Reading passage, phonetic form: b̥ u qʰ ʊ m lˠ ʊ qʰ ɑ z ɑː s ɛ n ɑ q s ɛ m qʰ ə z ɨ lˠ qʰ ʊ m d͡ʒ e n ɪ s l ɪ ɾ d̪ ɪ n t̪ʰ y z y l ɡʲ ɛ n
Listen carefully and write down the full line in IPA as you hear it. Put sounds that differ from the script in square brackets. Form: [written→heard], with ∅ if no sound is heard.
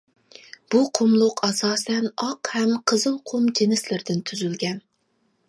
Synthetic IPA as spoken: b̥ u qʰ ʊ m lˠ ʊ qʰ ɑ [z→s] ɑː s ɛ n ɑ q [s→h] ɛ m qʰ ə z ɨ lˠ qʰ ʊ m d͡ʒ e n ɪ s l ɪ ɾ d̪ ɪ n t̪ʰ y z y l ɡʲ ɛ n

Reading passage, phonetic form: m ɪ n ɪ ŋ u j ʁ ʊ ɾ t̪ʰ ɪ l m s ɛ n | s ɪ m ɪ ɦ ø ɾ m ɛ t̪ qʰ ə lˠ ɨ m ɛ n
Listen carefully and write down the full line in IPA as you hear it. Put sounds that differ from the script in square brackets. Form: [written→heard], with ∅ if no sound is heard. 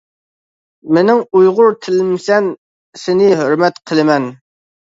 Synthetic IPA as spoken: m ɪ n ɪ ŋ u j ʁ ʊ ɾ t̪ʰ ɪ l m s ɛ n | s ɪ [m→n] ɪ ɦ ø ɾ m ɛ t̪ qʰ ə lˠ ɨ m ɛ n

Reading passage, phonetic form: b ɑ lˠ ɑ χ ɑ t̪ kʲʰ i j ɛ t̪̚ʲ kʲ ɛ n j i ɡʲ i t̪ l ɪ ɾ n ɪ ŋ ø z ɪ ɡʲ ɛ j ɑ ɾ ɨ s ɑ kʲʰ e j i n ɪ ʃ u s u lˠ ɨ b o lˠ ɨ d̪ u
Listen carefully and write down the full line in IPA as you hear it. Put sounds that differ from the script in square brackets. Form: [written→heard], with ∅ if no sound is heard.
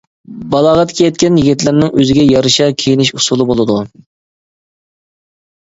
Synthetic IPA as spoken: b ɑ lˠ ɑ [χ→ʁ] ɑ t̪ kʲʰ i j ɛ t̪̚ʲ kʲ ɛ n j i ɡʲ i t̪ l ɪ ɾ n ɪ ŋ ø z ɪ ɡʲ ɛ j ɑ ɾ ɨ [s→ʃ] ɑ kʲʰ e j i n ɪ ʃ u s u lˠ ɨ b o lˠ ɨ d̪ u

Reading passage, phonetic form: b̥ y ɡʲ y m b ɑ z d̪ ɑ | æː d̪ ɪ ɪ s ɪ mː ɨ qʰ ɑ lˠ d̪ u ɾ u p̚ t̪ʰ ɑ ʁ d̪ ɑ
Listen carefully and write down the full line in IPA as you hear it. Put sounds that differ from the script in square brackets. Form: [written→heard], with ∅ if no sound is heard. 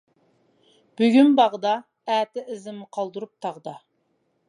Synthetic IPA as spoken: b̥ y ɡʲ y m b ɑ [z→ʁ] d̪ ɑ | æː [d̪→t̪] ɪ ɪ [s→z] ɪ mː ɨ qʰ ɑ lˠ d̪ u ɾ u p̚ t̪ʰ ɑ ʁ d̪ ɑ

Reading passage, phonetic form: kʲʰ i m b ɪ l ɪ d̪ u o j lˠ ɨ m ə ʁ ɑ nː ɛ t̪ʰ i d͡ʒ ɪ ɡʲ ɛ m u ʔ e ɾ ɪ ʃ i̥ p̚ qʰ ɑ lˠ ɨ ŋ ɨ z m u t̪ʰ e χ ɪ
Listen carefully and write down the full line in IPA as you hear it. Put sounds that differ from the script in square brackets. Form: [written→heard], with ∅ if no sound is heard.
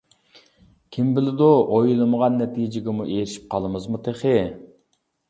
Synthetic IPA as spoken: kʲʰ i m b ɪ l ɪ d̪ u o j lˠ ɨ m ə ʁ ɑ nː ɛ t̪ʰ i d͡ʒ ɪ ɡʲ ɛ m u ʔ e ɾ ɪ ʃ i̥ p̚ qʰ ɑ lˠ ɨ [ŋ→m] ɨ z m u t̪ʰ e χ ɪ

